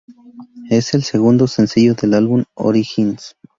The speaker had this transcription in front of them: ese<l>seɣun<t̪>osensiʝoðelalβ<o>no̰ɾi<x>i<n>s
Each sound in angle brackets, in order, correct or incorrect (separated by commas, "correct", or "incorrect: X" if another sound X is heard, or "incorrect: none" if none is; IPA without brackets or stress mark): correct, incorrect: d̪, incorrect: u, correct, correct